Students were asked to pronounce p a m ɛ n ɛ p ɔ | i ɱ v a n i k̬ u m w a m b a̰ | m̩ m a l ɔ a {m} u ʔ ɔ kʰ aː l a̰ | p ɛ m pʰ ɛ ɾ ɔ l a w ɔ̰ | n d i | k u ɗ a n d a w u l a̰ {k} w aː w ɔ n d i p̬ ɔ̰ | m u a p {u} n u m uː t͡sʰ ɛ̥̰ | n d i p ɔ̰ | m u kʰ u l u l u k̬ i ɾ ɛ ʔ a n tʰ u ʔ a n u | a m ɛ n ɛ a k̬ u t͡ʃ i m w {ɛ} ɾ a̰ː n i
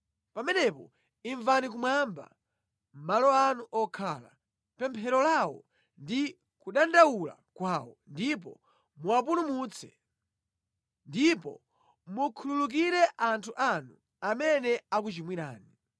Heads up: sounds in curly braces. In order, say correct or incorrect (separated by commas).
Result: incorrect, correct, correct, incorrect